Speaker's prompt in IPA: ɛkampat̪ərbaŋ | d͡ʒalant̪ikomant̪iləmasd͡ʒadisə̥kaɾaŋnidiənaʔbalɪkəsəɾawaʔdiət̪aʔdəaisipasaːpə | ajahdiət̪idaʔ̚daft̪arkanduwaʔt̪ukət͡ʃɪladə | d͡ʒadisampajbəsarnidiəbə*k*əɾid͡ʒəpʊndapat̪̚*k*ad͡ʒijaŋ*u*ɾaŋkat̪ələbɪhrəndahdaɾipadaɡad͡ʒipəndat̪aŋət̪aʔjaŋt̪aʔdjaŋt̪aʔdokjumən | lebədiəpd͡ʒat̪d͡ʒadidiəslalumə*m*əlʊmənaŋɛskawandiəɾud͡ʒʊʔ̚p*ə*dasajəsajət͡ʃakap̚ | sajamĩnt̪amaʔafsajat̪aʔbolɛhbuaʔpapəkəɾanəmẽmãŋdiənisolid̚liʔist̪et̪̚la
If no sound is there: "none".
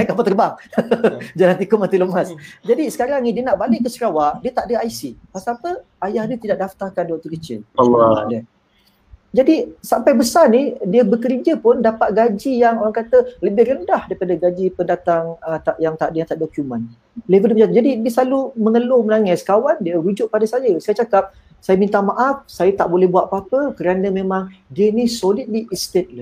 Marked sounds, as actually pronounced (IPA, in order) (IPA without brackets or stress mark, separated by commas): k, ɡ, o, ŋ, a